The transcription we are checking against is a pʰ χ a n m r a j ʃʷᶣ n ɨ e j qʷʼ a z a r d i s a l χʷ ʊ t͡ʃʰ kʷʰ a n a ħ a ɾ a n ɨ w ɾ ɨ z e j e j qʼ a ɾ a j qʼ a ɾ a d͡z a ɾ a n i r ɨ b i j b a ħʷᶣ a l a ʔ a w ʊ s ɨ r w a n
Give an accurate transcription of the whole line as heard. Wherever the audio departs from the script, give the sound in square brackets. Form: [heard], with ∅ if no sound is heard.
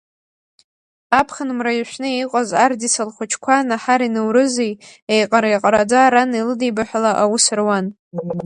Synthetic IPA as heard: a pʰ χ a n m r a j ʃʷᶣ n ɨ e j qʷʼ a z a r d i s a l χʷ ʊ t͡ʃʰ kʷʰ a n a ħ a ɾ [i] n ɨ w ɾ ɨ z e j e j qʼ a ɾ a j qʼ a ɾ a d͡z a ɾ a n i [l] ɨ [d] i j b a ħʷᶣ a l a ʔ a w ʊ s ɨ r w a n

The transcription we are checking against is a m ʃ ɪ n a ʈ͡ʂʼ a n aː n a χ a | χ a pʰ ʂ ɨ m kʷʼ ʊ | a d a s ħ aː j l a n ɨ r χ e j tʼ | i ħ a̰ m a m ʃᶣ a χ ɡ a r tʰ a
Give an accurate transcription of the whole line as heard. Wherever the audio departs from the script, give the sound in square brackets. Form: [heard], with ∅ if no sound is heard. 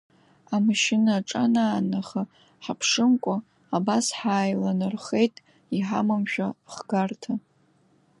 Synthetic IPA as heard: a m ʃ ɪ n a ʈ͡ʂʼ a n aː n a χ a | [ħ] a pʰ ʂ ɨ m kʷʼ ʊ | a [b] a s ħ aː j l a n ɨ r χ e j tʼ | i ħ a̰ m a m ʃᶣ a χ ɡ a r tʰ a

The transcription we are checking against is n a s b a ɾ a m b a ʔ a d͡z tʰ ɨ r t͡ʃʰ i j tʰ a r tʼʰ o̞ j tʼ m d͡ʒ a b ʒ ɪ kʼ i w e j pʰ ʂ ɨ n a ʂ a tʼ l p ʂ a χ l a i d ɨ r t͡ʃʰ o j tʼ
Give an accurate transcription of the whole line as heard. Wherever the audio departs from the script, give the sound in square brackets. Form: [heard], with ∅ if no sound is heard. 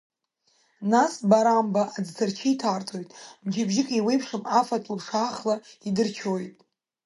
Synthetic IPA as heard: n a s b a ɾ a m b a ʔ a d͡z tʰ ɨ r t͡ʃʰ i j tʰ a r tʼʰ o̞ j tʼ m d͡ʒ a b ʒ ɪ kʼ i w e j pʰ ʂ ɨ [m] a [f] a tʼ l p ʂ a χ l a i d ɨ r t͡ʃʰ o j tʼ

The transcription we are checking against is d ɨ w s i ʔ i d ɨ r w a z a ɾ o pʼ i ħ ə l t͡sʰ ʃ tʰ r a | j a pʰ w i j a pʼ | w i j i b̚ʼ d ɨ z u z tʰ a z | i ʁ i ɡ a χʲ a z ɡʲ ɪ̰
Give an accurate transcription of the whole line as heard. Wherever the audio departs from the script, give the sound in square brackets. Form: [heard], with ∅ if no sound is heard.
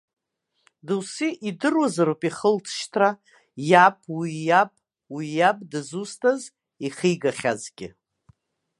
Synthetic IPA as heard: d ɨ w s i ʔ i d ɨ r w a z a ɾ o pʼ i [χ] ə l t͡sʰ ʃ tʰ r a | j a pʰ w i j a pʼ | w i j [a] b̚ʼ d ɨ z u [s] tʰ a z | i [χ] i ɡ a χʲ a z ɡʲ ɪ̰

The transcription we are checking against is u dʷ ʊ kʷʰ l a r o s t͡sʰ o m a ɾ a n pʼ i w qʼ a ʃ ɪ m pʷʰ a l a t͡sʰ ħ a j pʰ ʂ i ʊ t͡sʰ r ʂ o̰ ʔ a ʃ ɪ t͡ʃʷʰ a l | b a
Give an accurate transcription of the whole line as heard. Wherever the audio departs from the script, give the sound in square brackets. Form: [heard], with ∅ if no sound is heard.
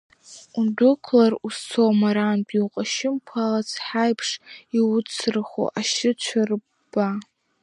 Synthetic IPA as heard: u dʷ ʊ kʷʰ l a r [u] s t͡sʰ o m a ɾ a n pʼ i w qʼ a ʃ ɪ m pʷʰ a l a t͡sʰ ħ a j pʰ ʂ i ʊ t͡sʰ r [χ] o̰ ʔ a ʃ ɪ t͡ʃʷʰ a [r] | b a

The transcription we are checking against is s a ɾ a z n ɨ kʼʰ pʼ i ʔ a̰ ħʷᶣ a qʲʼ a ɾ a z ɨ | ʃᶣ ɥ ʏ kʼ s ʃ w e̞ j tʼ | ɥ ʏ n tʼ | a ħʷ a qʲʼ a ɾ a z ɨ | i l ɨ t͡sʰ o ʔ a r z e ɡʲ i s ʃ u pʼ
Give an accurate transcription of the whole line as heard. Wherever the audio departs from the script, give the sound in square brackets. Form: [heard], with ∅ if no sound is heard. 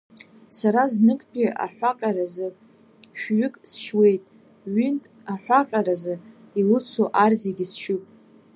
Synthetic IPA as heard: s a ɾ a z n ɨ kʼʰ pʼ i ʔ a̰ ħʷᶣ a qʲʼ a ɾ a z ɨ | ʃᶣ ɥ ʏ kʼ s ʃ w e̞ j tʼ | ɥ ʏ n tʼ | a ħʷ a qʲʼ a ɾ a z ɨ | i l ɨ t͡sʰ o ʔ a r z e ɡʲ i s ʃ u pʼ

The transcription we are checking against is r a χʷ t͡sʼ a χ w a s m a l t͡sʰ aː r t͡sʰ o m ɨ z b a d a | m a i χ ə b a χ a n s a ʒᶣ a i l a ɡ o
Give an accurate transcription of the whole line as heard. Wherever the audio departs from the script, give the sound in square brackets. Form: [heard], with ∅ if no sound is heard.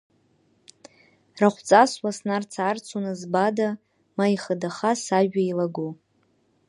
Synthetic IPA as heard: r a χʷ t͡sʼ a [s] w a s [n] a [r] t͡sʰ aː r t͡sʰ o [n] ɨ z b a d a | m a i χ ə [d] a χ a [∅] s a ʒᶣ a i l a ɡ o

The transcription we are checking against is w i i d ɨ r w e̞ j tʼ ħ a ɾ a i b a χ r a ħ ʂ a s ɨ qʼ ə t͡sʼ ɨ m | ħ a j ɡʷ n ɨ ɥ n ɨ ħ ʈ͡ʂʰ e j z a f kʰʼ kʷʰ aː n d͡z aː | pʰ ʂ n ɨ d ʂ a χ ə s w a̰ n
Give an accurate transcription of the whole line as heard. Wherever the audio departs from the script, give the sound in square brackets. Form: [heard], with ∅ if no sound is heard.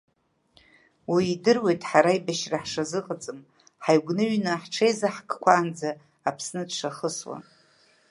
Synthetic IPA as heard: w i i d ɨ r w e̞ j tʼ ħ a ɾ a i b a [ʃ] r a ħ ʂ a [z] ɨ qʼ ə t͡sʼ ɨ m | ħ a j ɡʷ n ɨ ɥ n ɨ ħ ʈ͡ʂʰ e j z a [ħ] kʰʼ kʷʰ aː n d͡z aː | pʰ [s] n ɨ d ʂ a χ ə s w a̰ n

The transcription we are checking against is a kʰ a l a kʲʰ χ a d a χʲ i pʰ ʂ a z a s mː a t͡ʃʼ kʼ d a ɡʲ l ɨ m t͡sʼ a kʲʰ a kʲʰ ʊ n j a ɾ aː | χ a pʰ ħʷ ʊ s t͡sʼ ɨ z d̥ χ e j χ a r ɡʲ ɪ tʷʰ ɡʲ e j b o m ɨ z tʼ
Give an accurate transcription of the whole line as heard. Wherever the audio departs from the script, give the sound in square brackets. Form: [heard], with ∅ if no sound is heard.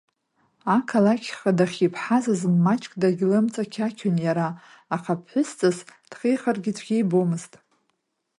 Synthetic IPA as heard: a kʰ a l a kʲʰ χ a d a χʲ i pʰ [ħ] a z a [z] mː a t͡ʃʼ kʼ d a ɡʲ l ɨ m t͡sʼ a kʲʰ a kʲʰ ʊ n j a ɾ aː | χ a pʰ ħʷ ʊ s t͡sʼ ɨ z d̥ χ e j χ a r ɡʲ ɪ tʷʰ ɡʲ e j b o m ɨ z tʼ

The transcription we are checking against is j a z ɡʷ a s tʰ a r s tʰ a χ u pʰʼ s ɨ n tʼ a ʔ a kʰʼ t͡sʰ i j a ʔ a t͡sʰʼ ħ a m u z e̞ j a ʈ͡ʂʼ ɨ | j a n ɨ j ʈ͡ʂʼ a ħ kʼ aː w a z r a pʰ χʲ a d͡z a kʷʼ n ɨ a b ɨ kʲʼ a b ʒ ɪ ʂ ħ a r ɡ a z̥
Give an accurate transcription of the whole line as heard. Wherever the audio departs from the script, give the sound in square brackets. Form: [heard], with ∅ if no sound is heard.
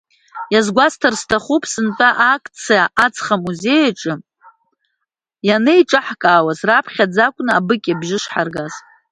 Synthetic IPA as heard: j a z ɡʷ a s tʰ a r s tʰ a χ u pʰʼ s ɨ n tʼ a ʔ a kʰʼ t͡sʰ i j a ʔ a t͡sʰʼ [χ] a m u z e̞ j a ʈ͡ʂʼ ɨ | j a n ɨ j ʈ͡ʂʼ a ħ kʼ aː w a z r a pʰ χʲ a d͡z a kʷʼ n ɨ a b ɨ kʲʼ a b ʒ ɪ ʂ ħ a r ɡ a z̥

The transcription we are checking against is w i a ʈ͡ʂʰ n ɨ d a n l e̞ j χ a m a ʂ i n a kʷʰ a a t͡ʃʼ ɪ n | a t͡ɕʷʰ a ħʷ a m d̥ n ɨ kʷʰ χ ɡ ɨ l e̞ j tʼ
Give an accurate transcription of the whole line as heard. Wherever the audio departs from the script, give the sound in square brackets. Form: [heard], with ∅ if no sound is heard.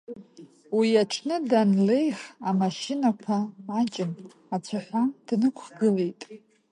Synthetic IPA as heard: w i a ʈ͡ʂʰ n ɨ d a n l e̞ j χ a m a [ʃ] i n a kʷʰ a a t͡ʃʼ ɪ n | a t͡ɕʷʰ a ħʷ a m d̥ n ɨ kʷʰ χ ɡ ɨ l e̞ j tʼ

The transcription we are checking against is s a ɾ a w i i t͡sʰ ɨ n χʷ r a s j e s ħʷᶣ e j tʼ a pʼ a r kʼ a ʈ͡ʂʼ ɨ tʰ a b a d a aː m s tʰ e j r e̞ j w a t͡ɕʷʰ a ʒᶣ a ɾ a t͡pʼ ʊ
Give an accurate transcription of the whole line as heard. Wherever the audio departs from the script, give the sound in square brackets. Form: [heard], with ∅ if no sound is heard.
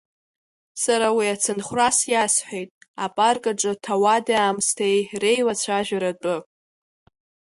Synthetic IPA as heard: s a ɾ a w i [a] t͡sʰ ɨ n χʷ r a s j [a] s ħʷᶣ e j tʼ a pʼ a r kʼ a ʈ͡ʂʼ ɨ tʰ a [w] a d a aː m s tʰ e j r e̞ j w a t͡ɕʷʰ a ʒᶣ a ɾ a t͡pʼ ʊ

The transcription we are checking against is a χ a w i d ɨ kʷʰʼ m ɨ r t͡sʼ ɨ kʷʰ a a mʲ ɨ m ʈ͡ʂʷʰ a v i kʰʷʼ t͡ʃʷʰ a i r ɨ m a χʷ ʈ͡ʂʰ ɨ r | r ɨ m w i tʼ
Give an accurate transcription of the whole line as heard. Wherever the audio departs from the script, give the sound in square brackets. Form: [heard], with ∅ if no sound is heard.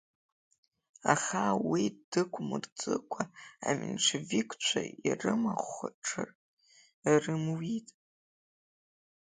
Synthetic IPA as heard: a χ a w i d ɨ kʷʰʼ m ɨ r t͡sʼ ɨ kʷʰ a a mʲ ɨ [n] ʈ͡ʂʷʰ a v i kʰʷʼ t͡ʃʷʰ a i r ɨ m a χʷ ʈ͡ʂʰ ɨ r | r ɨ m w i tʼ

